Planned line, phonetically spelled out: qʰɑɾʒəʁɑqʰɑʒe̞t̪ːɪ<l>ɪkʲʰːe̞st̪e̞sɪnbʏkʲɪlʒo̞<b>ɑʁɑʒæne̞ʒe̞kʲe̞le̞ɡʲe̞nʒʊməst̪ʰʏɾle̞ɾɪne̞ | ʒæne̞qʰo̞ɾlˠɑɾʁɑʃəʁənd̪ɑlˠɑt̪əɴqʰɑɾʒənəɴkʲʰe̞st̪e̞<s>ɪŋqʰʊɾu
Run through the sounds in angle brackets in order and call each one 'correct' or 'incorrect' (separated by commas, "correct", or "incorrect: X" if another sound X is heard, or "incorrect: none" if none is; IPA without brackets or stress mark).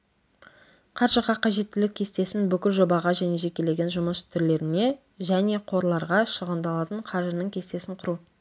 correct, correct, correct